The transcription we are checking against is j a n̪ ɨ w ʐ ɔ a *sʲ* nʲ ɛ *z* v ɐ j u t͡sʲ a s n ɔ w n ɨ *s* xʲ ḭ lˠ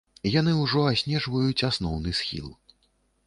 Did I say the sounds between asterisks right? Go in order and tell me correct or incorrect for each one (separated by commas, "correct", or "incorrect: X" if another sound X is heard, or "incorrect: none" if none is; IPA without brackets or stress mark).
correct, incorrect: ʐ, correct